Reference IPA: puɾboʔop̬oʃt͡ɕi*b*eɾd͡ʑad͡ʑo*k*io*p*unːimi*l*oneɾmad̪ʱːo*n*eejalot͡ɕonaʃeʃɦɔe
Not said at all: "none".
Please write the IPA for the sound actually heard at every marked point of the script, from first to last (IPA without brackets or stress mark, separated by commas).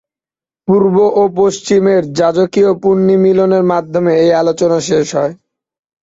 m, k, p, l, m